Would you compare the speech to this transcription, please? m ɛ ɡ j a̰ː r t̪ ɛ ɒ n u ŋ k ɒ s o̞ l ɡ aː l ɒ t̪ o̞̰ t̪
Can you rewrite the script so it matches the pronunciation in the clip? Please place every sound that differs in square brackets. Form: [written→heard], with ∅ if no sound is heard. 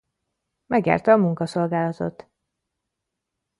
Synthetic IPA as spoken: m ɛ ɡ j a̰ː r t̪ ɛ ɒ [n→m] u ŋ k ɒ s o̞ l ɡ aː l ɒ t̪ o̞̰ t̪